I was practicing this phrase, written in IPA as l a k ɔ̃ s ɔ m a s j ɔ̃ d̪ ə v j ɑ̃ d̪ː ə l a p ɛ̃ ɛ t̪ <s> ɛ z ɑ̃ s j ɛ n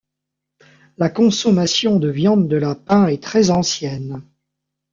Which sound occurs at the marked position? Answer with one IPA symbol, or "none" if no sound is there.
χ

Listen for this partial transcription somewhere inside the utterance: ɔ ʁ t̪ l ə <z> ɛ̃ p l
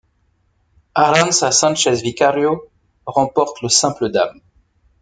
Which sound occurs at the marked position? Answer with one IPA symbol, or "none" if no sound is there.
s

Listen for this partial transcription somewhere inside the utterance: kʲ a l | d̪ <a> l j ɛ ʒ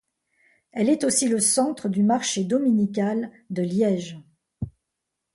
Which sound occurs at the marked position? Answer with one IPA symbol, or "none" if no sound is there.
ə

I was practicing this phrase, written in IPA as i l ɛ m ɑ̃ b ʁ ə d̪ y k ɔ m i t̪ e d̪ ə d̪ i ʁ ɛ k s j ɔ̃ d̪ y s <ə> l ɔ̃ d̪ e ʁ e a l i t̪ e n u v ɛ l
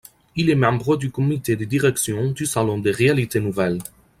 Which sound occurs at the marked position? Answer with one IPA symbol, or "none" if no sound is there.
a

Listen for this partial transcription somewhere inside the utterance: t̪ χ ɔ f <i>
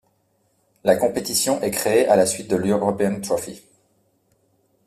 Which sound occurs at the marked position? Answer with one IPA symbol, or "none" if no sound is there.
i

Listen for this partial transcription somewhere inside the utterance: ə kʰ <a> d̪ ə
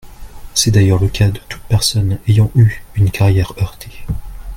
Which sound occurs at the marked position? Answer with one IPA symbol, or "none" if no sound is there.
a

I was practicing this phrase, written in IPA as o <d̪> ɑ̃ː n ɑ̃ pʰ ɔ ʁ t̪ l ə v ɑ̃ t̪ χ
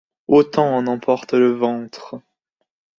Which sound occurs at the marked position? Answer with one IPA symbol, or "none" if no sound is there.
t̪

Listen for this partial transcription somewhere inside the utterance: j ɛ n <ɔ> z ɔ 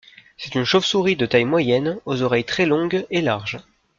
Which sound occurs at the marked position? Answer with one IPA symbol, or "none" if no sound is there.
o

